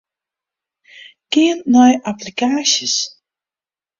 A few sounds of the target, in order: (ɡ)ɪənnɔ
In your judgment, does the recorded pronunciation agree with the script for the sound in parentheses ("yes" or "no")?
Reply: no